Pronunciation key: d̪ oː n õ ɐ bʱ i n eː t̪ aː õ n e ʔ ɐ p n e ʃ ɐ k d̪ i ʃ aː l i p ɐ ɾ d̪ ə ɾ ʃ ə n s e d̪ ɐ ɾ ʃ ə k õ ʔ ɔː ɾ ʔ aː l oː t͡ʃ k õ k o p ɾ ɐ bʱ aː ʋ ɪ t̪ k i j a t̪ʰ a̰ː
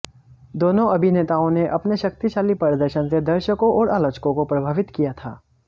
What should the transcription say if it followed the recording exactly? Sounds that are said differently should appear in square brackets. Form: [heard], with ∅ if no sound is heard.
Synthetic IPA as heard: d̪ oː n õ ɐ bʱ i n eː t̪ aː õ n e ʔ ɐ p n e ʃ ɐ k [t̪] i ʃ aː l i p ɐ ɾ d̪ ə ɾ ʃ ə n s e d̪ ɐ ɾ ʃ ə k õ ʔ ɔː ɾ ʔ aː l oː t͡ʃ k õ k o p ɾ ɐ bʱ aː ʋ ɪ t̪ k i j a t̪ʰ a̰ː